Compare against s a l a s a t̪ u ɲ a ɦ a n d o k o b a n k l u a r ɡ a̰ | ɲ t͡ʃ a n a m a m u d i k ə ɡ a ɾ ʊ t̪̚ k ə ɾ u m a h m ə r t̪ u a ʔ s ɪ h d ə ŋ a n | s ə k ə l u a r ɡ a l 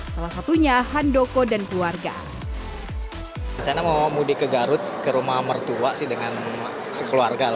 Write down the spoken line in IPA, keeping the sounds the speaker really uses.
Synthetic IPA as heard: s a l a s a t̪ u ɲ a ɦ a n d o k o d a n k l u a r ɡ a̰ | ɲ t͡ʃ a n a m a m u d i k ə ɡ a ɾ ʊ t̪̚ k ə ɾ u m a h m ə r t̪ u a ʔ s ɪ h d ə ŋ a n | s ə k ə l u a r ɡ a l

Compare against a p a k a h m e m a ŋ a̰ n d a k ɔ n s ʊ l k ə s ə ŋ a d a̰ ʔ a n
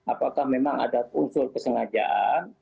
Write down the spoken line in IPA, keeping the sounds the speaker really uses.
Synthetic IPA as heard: a p a k a h m e m a ŋ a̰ d a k u n s ʊ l k ə s ə ŋ a d͡ʒ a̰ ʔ a n

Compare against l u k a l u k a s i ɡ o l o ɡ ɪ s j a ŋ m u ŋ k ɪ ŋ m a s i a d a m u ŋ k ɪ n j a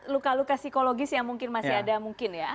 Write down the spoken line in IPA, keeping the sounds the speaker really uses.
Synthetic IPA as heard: l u k a l u k a s i k o l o ɡ ɪ s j a ŋ m u ŋ k ɪ n m a s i a d a m u ŋ k ɪ n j a

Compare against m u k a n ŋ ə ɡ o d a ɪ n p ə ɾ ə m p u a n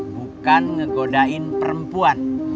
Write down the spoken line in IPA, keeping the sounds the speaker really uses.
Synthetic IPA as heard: b u k a n ŋ ə ɡ o d a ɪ n p ə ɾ ə m p u a n

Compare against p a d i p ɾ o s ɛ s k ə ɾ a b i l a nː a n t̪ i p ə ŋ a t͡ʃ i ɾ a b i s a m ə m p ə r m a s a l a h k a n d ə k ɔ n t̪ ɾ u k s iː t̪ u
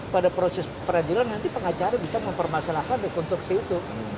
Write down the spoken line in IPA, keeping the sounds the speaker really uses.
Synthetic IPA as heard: p a d a p ɾ o s ɛ s p ə ɾ a d i l a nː a n t̪ i p ə ŋ a t͡ʃ a ɾ a b i s a m ə m p ə r m a s a l a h k a n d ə k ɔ n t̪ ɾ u k s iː t̪ u

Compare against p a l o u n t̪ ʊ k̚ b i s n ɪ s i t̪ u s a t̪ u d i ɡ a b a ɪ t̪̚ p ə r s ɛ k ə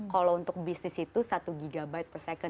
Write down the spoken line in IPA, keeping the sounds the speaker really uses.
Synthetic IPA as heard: k a l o u n t̪ ʊ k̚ b i s n ɪ s i t̪ u s a t̪ u ɡ i ɡ a b a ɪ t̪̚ p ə r s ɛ k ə

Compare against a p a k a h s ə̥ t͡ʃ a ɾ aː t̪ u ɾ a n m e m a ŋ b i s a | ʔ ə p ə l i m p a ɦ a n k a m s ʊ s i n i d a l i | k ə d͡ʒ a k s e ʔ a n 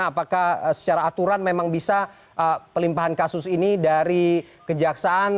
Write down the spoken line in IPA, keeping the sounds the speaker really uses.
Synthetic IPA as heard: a p a k a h s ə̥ t͡ʃ a ɾ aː t̪ u ɾ a n m e m a ŋ b i s a | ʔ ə p ə l i m p a ɦ a n k a s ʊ s i n i d a ɾ i | k ə d͡ʒ a k s a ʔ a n

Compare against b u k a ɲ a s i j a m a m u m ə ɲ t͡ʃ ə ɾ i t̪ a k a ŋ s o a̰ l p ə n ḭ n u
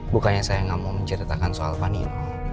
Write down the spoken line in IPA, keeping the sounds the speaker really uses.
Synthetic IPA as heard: b u k a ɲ a s a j a ŋ a m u m ə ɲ t͡ʃ ə ɾ i t̪ a k a n s o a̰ l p a n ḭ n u

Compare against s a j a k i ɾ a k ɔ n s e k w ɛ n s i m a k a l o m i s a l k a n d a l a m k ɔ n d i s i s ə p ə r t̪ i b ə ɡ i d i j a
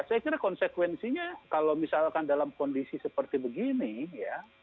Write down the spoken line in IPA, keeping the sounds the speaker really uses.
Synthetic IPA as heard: s a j a k i ɾ a k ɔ n s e k w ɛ n s i ɲ a k a l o m i s a l k a n d a l a m k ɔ n d i s i s ə p ə r t̪ i b ə ɡ i n i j a

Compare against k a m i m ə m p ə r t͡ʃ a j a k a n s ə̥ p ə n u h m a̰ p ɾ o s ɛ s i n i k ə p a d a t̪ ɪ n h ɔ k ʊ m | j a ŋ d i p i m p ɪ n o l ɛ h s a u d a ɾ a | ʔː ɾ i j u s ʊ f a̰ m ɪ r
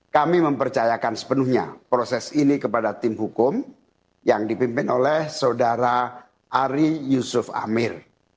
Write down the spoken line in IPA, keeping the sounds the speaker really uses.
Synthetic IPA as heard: k a m i m ə m p ə r t͡ʃ a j a k a n s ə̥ p ə n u h ɲ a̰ p ɾ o s ɛ s i n i k ə p a d a t̪ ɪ m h u k ʊ m | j a ŋ d i p i m p ɪ n o l ɛ h s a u d a ɾ a | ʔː ɾ i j u s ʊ f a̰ m ɪ r

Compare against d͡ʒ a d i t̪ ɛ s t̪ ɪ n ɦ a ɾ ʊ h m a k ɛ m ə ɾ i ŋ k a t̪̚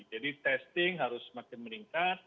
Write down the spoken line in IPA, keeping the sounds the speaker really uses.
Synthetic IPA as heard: d͡ʒ a d i t̪ ɛ s t̪ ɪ ŋ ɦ a ɾ ʊ s m a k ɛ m ə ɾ i ŋ k a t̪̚

